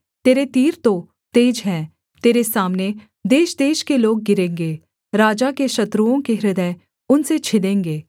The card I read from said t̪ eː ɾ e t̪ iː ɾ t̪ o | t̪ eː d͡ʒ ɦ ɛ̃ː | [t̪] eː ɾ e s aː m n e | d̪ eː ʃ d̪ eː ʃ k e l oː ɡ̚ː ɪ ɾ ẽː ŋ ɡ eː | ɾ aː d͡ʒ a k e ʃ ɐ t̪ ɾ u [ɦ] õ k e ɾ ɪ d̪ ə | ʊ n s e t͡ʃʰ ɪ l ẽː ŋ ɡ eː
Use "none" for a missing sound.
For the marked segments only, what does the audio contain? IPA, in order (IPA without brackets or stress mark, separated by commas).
t̪, none